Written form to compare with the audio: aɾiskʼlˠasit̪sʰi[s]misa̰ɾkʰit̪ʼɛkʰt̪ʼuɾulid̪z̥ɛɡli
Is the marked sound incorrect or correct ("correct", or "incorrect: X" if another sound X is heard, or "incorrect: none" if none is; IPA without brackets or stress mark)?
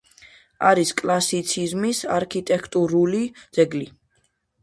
incorrect: z